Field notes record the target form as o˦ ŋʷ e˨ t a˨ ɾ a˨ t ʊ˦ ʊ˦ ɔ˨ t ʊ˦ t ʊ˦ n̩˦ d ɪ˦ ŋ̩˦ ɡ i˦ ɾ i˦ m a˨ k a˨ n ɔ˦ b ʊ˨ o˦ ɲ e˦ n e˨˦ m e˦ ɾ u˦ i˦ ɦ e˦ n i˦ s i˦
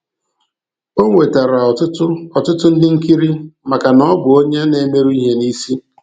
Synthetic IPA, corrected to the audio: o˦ ŋʷ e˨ t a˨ ɾ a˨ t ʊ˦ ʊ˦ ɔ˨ t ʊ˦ t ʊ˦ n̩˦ d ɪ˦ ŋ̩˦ k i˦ ɾ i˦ m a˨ k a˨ n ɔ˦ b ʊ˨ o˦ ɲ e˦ n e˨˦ m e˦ ɾ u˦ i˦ ɦ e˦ n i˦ s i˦